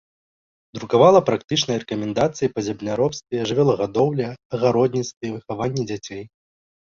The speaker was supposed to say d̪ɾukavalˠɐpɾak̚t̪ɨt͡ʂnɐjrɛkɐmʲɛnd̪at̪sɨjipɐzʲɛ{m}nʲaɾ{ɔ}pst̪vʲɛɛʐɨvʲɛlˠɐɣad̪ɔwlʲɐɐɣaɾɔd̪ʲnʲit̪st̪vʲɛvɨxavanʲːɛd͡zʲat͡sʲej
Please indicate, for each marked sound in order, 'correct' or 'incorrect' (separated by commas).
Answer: incorrect, correct